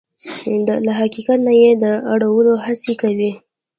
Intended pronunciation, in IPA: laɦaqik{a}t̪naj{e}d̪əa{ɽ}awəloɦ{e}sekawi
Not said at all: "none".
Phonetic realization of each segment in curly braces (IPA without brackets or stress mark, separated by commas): a, e, ɽ, a